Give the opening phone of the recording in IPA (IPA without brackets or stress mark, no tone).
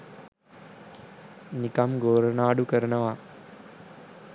n